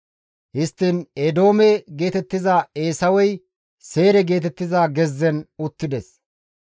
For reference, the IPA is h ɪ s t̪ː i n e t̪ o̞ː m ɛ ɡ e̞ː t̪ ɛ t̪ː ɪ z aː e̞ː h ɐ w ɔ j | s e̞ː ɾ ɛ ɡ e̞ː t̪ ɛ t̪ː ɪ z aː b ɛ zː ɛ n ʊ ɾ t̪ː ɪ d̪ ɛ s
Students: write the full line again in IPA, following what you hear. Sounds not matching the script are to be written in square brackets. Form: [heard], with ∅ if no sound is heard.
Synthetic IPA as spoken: h ɪ s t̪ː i n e [d̪] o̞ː m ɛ ɡ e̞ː t̪ ɛ t̪ː ɪ z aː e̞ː [s] ɐ w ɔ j | s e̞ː ɾ ɛ ɡ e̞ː t̪ ɛ t̪ː ɪ z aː [ɡ] ɛ zː ɛ n ʊ [∅] t̪ː ɪ d̪ ɛ s